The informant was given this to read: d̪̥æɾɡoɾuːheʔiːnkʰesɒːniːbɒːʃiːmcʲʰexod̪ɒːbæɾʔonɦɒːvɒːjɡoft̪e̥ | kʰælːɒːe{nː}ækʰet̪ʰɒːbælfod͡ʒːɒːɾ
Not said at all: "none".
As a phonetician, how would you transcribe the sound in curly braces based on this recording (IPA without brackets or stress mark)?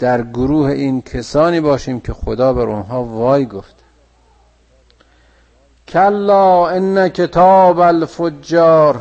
nː